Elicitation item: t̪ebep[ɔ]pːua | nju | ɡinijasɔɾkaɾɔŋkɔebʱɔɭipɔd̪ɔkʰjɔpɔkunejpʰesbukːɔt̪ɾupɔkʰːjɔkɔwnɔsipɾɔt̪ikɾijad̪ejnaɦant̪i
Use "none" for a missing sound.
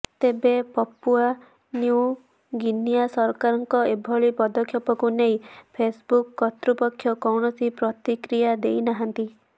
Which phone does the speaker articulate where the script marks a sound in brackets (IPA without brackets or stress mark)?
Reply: ɔ